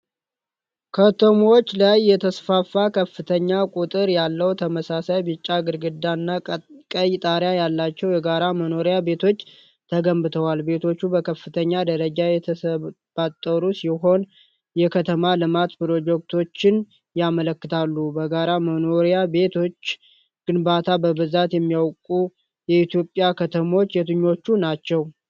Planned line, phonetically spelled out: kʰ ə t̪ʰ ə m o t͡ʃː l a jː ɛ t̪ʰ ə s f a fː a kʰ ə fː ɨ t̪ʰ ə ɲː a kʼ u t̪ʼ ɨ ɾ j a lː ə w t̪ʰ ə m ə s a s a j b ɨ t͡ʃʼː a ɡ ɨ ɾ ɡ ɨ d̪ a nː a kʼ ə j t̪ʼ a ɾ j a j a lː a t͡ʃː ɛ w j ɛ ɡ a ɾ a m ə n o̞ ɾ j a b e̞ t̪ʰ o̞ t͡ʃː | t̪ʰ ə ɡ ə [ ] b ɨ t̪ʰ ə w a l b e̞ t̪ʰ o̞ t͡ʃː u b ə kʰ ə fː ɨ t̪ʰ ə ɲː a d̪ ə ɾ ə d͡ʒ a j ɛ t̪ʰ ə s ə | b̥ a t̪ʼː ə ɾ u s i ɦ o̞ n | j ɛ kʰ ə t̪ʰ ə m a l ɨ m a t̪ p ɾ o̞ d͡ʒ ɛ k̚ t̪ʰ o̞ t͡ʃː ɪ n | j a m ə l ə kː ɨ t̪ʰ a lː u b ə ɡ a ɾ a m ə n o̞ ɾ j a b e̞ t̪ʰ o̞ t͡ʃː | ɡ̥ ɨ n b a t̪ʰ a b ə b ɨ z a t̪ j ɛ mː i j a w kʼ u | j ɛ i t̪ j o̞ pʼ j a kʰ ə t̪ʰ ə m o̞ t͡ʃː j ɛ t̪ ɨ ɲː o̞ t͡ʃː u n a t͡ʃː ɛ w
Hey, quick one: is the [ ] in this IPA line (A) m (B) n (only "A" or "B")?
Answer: A